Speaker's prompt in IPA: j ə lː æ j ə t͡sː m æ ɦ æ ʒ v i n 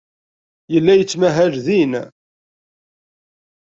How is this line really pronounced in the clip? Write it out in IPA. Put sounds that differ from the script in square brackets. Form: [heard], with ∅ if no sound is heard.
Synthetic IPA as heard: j ə lː æ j ə t͡sː m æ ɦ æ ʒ [ð] i n